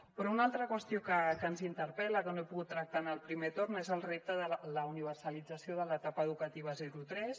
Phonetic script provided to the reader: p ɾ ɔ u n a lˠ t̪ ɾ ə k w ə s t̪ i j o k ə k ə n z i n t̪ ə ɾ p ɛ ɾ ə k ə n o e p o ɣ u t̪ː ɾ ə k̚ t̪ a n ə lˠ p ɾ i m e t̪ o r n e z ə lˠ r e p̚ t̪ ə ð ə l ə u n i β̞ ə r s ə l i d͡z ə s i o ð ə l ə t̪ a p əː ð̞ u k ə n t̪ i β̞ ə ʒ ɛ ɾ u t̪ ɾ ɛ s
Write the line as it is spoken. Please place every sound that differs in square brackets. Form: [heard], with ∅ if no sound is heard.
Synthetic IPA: p ɾ ɔ u n a lˠ t̪ ɾ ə k w ə s t̪ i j o k ə k ə n z i n t̪ ə ɾ p ɛ [l] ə k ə n o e p [u] ɣ u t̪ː ɾ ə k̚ t̪ a n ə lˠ p ɾ i m e t̪ o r n e z ə lˠ r e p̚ t̪ ə ð ə l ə u n i β̞ ə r s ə l i d͡z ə s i o ð ə l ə t̪ a p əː ð̞ u k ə [∅] t̪ i β̞ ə [z] ɛ ɾ u t̪ ɾ ɛ s

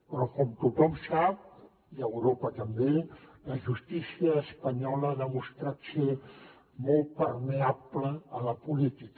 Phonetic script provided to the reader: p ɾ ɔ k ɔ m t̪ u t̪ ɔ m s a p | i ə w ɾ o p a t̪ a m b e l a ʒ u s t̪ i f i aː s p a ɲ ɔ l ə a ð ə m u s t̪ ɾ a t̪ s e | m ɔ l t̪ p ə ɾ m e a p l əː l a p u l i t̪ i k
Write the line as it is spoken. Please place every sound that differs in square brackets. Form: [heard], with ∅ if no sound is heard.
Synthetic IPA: p ɾ ɔ k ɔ m t̪ u t̪ ɔ m s a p | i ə w ɾ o p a t̪ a m b e l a ʒ u s t̪ i [s] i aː s p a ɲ ɔ l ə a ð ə m u s t̪ ɾ a t̪ s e | m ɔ l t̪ p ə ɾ m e a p l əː l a p u l i t̪ i k

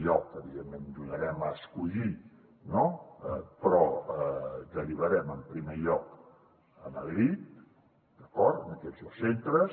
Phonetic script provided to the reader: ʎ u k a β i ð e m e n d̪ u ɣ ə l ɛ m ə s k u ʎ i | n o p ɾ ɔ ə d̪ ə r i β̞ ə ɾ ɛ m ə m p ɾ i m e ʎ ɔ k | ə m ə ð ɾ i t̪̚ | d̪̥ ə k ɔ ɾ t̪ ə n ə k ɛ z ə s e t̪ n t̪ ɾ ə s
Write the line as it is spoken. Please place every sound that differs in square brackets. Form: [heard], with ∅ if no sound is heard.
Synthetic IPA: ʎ [ɔ] k [ə] β i ð e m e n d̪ u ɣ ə [ɾ] ɛ m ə s k u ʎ i | n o p ɾ ɔ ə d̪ ə r i β̞ ə ɾ ɛ m ə m p ɾ i m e ʎ ɔ k | ə m ə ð ɾ i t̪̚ | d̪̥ ə k ɔ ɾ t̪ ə n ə k ɛ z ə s e [∅] n t̪ ɾ ə s

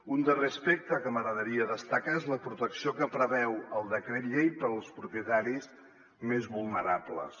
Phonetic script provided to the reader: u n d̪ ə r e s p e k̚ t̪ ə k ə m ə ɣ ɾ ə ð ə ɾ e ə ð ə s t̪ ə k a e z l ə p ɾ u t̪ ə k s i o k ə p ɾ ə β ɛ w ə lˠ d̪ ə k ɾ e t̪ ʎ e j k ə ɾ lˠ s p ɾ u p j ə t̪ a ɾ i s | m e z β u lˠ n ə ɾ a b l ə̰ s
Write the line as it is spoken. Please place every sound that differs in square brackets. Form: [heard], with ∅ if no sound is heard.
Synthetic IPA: u n d̪ ə r e s p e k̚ t̪ ə k ə m ə ɣ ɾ ə ð ə ɾ [i] ə ð ə s t̪ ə k a e z l ə p ɾ u t̪ ə k s i o k ə p ɾ ə β ɛ w ə lˠ d̪ ə k ɾ e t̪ ʎ e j [p] ə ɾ lˠ s p ɾ u p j ə t̪ a ɾ i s | m e z β u lˠ n ə ɾ a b l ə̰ s

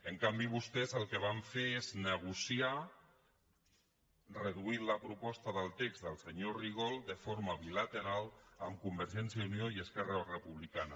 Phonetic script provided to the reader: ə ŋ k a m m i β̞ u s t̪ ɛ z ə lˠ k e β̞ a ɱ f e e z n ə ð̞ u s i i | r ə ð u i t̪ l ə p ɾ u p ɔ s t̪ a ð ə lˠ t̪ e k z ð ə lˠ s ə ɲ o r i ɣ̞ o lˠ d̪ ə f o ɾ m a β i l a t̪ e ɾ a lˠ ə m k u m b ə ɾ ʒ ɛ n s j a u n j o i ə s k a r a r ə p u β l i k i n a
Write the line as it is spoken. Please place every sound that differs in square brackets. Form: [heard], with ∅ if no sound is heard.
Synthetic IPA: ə ŋ k a m [b] i β̞ u s t̪ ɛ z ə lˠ k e β̞ a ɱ f e e z n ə [ɣ̞] u s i [a] | r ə ð u i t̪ l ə p ɾ u p ɔ s t̪ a ð ə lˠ t̪ e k z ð ə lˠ s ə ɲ o r i ɣ̞ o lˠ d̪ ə f o ɾ m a β i l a t̪ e ɾ a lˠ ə m k u m b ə ɾ ʒ ɛ n s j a u n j o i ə s k [ɛ] r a r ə p u β l i k [a] n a

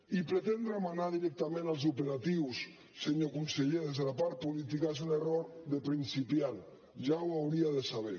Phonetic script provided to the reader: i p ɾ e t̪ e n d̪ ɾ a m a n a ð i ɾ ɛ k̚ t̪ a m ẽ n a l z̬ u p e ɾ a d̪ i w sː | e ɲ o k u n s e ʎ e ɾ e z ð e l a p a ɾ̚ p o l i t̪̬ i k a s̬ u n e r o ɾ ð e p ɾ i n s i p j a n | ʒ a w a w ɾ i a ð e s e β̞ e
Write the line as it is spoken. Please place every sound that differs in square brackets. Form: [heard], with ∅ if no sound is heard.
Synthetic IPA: i p ɾ e t̪ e n d̪ ɾ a m a n a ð i ɾ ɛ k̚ t̪ a m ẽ n a l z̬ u p e ɾ a [t̪] i w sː | e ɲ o k u n s e ʎ e ɾ e z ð e l a p a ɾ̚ p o l i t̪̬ i k a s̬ u n e r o ɾ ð e p ɾ i n s i p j a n | ʒ a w a w ɾ i a ð e s [a] β̞ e

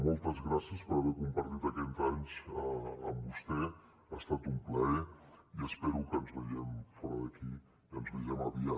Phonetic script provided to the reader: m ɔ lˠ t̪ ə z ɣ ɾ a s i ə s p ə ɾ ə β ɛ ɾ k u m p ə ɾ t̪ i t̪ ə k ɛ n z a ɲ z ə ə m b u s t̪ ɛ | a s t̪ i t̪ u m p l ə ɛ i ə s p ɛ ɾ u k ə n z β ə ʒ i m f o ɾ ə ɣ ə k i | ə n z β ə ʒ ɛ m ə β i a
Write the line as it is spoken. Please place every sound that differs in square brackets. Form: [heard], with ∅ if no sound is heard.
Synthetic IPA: m ɔ lˠ t̪ ə z ɣ ɾ a s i ə s p ə ɾ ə β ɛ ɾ k u m p ə ɾ t̪ i t̪ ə k ɛ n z a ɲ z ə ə m b u s t̪ ɛ | a s t̪ [a] t̪ u m p l ə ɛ i ə s p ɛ ɾ u k ə n z β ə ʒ [ɛ] m f [ɔ] ɾ ə [ð] ə k i | ə n z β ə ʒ ɛ m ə β i a

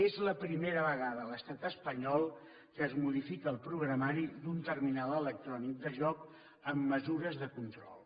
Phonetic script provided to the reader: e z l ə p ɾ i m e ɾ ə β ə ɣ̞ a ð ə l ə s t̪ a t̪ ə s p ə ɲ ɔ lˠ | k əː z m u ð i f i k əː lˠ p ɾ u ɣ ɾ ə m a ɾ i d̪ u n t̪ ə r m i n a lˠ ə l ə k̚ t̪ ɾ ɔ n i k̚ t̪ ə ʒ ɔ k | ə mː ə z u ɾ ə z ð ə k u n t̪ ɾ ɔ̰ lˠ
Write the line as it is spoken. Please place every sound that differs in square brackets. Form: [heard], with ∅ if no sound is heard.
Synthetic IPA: e z l ə p ɾ i m e ɾ ə β ə ɣ̞ a ð ə l ə s t̪ a t̪ ə s p ə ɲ ɔ lˠ | k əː z m u ð i f i k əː lˠ p ɾ u ɣ ɾ ə m a ɾ i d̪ u n t̪ ə r m i n a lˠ ə l ə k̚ t̪ ɾ ɔ n i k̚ [d̪] ə ʒ ɔ k | ə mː ə z u ɾ ə z ð ə k u n t̪ ɾ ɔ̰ lˠ

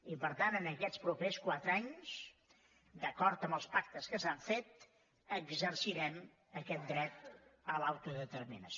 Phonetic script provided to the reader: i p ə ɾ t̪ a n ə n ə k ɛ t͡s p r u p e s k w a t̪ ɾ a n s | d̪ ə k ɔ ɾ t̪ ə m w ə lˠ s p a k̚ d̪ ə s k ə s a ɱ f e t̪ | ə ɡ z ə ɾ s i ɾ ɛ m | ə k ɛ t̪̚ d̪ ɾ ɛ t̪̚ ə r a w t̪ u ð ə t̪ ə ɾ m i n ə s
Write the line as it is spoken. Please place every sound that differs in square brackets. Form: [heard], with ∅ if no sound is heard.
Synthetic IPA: i p ə ɾ t̪ a n ə n ə k ɛ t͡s p [ɾ] u p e s k w a t̪ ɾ a [ɲ] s | d̪ ə k ɔ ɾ t̪ ə m [b] ə lˠ s p a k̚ [t̪] ə s k ə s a ɱ f e t̪ | ə ɡ z ə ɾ s i ɾ ɛ m | ə k ɛ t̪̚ d̪ ɾ ɛ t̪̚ ə [l] a w t̪ u ð ə t̪ ə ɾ m i n ə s

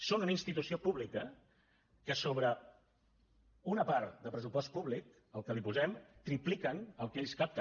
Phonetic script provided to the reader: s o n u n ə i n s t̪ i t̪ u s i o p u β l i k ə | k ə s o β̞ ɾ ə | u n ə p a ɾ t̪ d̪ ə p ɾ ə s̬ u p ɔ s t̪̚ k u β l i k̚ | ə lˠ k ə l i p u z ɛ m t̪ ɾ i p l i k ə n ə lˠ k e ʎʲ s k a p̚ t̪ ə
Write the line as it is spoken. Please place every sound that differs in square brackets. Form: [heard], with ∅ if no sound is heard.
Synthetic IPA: s o n u n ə i n s t̪ i t̪ u s i o p u β l i k ə | k ə s o β̞ ɾ ə | u n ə p a ɾ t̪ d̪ ə p ɾ ə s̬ u p ɔ s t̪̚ [p] u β l i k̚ | ə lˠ k ə l i p u z ɛ m t̪ ɾ i p l i k ə n ə lˠ k e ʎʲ s k a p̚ t̪ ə

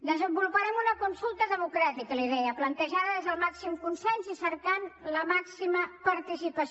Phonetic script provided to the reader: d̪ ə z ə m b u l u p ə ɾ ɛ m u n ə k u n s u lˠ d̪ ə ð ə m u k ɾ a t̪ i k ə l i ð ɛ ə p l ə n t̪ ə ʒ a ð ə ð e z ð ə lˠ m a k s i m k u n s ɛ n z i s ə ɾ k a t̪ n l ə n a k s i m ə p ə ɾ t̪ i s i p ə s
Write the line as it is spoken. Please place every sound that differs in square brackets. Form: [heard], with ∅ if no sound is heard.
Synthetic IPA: d̪ ə z ə m b u l u p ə ɾ ɛ m u n ə k u n s u lˠ [t̪] ə ð ə m u k ɾ a t̪ i k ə l i ð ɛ ə p l ə n t̪ ə ʒ a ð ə ð e z ð ə lˠ m a k s i m k u n s ɛ n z i s ə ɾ k a [∅] n l ə [m] a k s i m ə p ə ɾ t̪ i s i p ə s

